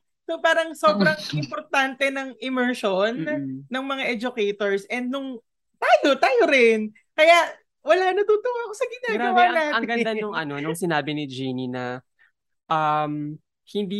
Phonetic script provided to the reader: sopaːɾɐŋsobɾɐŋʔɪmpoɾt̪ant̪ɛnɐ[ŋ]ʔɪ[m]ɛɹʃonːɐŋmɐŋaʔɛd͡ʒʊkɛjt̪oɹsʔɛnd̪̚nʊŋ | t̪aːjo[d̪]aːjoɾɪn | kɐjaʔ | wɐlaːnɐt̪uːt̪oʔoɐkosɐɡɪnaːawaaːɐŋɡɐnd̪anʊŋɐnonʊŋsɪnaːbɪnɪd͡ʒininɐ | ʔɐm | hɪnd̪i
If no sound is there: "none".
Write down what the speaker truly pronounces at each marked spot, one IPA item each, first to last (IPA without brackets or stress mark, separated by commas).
ŋ, m, t̪